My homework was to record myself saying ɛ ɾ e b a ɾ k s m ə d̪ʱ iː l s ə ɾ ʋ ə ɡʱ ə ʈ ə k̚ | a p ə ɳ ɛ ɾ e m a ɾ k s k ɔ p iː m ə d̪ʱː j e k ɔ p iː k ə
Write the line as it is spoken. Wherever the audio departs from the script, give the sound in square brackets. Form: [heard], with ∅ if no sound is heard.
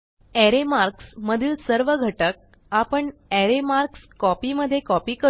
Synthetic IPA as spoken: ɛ ɾ e [m] a ɾ k s m ə d̪ʱ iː l s ə ɾ ʋ ə ɡʱ ə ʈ ə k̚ | a p ə ɳ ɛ ɾ e m a ɾ k s k ɔ p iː m ə d̪ʱː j e k ɔ p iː k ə